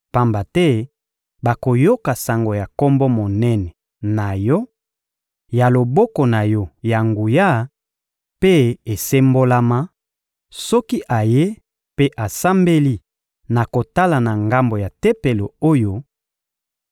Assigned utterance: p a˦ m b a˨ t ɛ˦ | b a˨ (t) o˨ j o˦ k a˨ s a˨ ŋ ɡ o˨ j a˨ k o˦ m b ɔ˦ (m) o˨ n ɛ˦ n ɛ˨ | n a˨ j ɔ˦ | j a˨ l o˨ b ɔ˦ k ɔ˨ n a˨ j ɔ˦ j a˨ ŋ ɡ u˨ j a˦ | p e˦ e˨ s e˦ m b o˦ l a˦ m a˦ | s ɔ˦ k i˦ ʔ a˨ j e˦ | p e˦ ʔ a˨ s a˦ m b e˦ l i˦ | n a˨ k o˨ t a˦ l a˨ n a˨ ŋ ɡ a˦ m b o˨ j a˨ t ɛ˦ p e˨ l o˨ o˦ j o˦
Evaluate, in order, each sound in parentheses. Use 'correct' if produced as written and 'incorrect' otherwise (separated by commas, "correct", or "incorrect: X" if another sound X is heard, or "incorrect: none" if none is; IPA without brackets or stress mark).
incorrect: k, correct